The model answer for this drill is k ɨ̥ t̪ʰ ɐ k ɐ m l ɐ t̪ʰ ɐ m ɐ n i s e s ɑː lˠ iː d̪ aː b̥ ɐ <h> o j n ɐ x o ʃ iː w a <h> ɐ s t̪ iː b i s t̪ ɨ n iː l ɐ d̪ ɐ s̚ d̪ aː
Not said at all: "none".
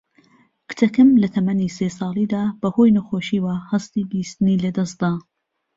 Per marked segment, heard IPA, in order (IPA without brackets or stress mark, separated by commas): h, h